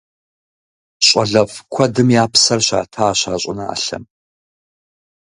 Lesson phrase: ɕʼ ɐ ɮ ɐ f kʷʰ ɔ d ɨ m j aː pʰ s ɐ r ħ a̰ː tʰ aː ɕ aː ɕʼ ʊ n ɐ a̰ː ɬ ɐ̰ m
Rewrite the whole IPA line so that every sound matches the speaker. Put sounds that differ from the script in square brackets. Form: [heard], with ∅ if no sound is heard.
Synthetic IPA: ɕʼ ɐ ɮ ɐ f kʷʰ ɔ d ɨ m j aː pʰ s ɐ r [ɕ] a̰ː tʰ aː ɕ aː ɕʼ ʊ n ɐ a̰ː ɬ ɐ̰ m